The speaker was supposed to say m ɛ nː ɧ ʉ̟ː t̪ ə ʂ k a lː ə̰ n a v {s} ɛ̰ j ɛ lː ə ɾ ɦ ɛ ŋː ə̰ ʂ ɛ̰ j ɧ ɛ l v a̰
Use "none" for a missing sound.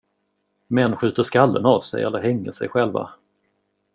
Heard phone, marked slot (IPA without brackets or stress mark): s